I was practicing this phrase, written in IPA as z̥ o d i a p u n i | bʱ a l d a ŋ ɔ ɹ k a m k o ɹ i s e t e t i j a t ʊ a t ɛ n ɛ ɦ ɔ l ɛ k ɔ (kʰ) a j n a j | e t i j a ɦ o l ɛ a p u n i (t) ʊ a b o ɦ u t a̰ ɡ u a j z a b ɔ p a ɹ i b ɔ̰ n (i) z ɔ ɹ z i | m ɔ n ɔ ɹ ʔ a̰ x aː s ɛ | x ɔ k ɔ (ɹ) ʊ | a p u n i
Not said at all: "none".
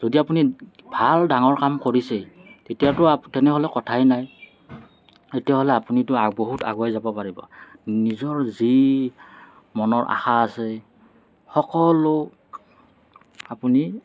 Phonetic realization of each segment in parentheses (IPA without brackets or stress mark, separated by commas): tʰ, t, i, l